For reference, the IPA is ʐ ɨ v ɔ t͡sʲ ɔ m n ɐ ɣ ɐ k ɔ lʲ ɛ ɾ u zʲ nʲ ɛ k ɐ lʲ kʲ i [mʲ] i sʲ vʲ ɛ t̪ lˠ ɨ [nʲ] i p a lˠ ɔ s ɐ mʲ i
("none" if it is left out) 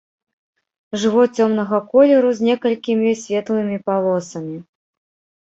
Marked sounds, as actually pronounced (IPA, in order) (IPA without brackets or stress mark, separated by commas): mʲ, mʲ